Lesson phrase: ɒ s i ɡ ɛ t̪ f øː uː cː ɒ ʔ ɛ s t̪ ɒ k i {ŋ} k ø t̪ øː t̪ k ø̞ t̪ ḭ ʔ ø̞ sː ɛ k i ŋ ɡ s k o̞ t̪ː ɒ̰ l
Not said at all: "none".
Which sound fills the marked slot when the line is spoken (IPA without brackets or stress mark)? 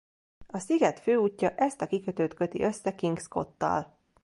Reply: none